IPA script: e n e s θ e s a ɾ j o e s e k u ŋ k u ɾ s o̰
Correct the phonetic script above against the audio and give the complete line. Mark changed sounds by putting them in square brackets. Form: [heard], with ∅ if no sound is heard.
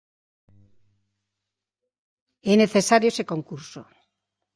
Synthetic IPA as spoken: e n e [∅] θ e s a ɾ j o e s e k [o] ŋ k u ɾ s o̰